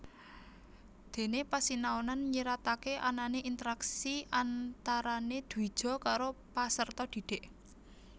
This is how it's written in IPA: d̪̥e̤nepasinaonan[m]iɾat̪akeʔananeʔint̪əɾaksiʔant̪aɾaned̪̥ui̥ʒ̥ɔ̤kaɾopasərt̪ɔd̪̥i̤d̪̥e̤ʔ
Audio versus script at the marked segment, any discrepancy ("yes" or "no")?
yes